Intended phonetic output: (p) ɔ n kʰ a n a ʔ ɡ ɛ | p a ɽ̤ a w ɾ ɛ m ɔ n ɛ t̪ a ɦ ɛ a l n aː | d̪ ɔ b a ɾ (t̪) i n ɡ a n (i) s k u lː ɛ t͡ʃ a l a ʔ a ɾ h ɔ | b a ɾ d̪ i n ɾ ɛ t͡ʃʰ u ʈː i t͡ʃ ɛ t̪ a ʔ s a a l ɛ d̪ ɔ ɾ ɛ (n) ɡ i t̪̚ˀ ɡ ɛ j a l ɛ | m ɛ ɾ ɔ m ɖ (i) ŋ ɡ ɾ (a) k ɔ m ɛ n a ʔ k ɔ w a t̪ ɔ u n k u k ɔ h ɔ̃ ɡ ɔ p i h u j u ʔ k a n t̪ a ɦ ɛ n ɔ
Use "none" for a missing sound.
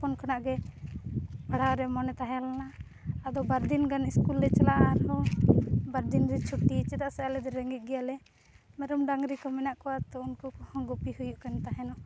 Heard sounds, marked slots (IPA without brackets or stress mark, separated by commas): p, d̪, i, ŋ, a, i